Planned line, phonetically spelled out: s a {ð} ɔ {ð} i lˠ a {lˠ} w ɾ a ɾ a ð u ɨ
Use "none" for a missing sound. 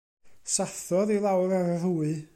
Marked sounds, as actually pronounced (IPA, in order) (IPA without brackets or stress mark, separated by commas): θ, ð, none